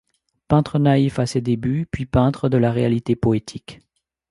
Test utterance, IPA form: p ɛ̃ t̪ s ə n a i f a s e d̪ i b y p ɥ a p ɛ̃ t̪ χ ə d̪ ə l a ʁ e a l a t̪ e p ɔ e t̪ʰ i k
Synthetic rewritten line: p ɛ̃ t̪ χ ə n a i f a s e d̪ e b y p ɥ i p ɛ̃ t̪ χ ə d̪ ə l a ʁ e a l i t̪ e p ɔ e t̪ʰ i k